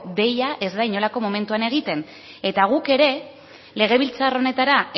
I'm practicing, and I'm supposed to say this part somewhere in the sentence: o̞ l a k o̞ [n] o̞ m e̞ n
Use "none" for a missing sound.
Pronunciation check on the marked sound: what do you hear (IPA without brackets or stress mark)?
m